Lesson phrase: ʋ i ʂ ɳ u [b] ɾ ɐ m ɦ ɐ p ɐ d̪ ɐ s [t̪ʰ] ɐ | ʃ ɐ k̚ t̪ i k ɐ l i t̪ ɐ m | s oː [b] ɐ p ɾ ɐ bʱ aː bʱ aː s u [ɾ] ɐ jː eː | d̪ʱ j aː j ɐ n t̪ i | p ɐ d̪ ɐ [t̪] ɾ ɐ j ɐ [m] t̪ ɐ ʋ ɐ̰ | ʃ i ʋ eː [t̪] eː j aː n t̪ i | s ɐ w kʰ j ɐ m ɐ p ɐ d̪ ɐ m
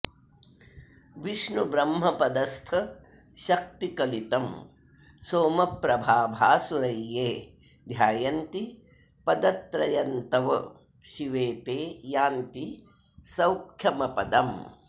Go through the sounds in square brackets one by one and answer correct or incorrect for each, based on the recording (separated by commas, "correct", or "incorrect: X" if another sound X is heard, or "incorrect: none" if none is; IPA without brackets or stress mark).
correct, correct, incorrect: m, correct, correct, incorrect: n, correct